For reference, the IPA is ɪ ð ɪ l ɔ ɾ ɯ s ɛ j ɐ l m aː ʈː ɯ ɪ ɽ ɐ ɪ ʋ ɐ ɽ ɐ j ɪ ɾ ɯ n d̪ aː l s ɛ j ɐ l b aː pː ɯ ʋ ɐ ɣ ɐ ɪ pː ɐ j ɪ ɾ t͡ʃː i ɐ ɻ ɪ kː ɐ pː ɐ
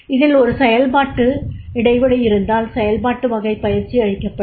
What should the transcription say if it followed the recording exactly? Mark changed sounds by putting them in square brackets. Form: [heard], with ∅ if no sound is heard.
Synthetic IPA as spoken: ɪ ð ɪ l ɔ ɾ ɯ s ɛ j ɐ l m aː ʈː ɯ ɪ ɽ ɐ ɪ ʋ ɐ ɽ ɐ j ɪ ɾ ɯ n d̪ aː l s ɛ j ɐ l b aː [ʈː] ɯ ʋ ɐ ɣ ɐ ɪ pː ɐ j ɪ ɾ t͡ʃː i ɐ ɻ ɪ kː ɐ pː ɐ